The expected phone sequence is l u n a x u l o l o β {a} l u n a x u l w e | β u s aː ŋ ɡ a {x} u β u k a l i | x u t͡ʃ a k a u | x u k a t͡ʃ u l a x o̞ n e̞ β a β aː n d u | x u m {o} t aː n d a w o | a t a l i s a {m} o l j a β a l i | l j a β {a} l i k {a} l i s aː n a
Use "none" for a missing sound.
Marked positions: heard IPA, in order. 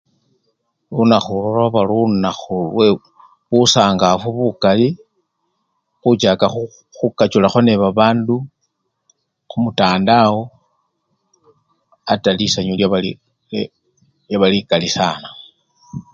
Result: a, f, u, ɲ, a, a

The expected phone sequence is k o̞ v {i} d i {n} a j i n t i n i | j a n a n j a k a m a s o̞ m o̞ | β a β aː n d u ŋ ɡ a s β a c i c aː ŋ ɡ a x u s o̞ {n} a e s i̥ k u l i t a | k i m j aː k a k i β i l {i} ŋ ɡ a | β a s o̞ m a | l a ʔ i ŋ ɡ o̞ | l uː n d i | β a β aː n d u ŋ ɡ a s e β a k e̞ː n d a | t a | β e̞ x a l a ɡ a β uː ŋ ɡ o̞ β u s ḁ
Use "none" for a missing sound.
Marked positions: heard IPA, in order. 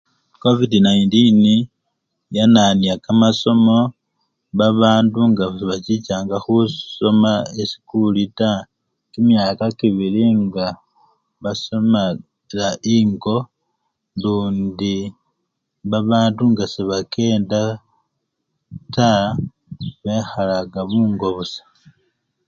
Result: i, n, m, i

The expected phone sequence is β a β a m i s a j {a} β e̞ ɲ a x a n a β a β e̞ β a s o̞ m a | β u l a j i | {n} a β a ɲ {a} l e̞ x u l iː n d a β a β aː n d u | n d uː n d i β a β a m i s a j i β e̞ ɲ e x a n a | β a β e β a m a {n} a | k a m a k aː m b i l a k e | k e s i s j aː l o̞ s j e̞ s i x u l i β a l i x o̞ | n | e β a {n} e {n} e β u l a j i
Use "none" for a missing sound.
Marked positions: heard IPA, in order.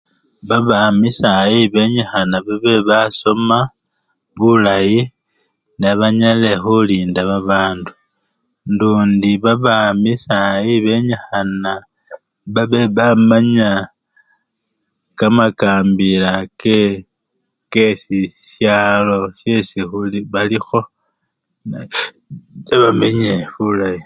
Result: i, n, a, ɲ, m, ɲ

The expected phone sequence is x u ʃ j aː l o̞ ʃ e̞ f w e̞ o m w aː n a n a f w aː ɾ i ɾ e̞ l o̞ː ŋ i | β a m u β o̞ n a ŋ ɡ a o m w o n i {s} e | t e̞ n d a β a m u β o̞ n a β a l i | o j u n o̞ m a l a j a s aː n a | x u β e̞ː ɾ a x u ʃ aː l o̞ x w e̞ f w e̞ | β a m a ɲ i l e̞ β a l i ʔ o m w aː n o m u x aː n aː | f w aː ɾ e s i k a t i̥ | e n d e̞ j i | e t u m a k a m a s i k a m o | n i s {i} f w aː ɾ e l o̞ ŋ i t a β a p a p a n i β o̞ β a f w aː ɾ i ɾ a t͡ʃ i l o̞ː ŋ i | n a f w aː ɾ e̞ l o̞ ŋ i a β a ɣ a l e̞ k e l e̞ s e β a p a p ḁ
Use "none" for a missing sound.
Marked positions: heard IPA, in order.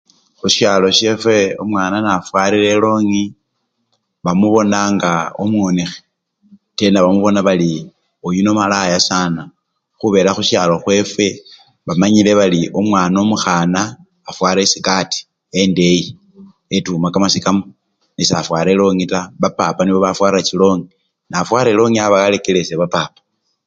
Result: x, a

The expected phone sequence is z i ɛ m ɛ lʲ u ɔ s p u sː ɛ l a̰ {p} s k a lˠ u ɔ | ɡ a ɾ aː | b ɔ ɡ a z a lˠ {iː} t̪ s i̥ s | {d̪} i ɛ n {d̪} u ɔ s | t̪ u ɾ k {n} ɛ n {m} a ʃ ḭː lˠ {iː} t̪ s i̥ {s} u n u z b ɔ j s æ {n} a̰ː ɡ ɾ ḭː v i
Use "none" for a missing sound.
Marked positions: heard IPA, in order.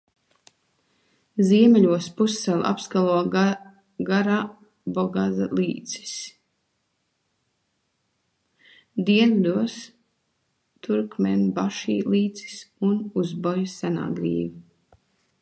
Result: p, iː, d̪, d̪, m, b, iː, s, n

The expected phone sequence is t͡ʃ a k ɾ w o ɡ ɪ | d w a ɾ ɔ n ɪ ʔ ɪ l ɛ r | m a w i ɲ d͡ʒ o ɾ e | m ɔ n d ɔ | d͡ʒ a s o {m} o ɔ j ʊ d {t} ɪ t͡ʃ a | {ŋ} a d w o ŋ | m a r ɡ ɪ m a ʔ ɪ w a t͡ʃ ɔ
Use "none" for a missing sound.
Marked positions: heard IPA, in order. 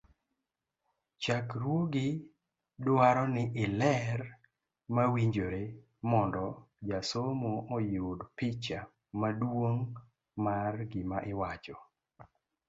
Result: m, p, m

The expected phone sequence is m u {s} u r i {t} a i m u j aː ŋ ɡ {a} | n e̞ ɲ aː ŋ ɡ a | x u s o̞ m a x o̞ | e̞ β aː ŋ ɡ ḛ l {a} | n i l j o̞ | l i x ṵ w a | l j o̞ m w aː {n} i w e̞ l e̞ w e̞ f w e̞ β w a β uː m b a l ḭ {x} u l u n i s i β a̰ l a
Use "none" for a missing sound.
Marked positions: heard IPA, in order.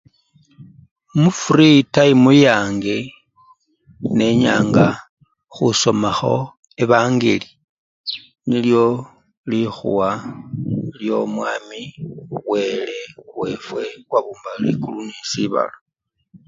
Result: f, t, e, i, m, k

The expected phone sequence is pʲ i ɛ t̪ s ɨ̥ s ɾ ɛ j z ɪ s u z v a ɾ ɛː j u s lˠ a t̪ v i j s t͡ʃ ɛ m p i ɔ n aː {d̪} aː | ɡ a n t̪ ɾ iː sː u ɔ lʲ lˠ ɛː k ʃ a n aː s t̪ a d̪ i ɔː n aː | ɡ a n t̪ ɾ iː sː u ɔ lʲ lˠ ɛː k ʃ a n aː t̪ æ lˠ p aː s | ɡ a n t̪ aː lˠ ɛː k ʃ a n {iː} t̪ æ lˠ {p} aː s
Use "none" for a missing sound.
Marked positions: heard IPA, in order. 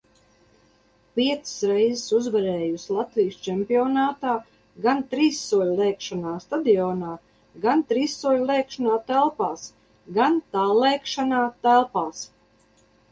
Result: t̪, aː, p

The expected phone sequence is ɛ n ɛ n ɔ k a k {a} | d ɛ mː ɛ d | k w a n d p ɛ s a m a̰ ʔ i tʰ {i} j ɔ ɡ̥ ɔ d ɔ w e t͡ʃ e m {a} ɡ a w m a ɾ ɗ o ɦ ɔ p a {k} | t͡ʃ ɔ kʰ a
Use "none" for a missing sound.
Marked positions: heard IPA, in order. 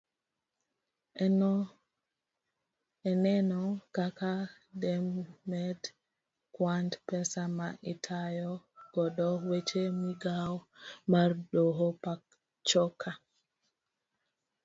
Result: a, a, i, k

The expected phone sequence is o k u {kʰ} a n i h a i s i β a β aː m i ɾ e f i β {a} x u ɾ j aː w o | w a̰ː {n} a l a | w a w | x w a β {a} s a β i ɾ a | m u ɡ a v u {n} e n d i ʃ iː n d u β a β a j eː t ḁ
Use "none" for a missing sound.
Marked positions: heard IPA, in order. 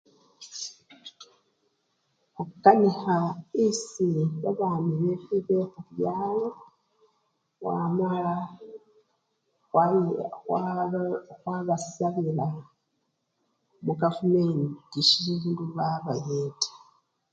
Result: k, e, m, a, m

